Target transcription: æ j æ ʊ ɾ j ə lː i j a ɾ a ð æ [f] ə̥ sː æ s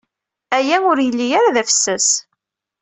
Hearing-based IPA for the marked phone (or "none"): f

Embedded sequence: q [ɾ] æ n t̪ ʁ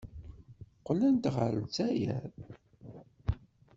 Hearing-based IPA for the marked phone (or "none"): l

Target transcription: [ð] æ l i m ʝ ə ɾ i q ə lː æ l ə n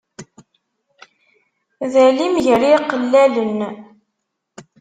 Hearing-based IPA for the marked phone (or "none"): ð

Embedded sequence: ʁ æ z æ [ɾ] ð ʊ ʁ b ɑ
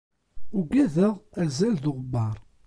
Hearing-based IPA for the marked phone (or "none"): l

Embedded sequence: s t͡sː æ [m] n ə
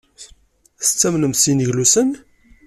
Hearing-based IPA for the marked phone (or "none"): m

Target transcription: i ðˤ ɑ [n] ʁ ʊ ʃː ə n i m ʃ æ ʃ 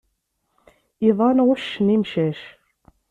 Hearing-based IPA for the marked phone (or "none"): n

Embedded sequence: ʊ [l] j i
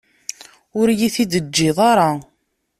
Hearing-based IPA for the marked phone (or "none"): ɾ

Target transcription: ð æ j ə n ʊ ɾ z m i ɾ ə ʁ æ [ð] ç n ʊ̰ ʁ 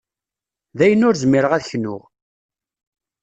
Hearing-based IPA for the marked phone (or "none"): ð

